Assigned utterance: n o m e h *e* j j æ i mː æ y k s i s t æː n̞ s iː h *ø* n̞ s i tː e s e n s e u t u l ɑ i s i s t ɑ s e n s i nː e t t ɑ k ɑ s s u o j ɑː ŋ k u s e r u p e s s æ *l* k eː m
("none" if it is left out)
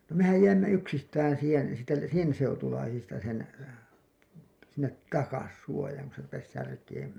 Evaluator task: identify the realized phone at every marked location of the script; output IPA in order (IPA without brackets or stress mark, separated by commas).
æ, e, r